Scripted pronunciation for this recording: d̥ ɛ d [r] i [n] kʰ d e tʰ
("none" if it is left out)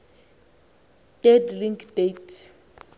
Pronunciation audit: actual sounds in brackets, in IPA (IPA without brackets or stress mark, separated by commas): l, ŋ